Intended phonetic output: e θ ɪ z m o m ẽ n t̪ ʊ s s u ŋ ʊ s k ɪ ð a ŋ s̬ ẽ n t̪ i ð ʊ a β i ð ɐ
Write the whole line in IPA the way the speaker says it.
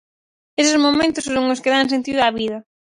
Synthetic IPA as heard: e s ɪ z m o m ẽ n t̪ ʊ s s o ŋ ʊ s k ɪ ð a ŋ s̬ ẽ n t̪ i ð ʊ a β i ð ɐ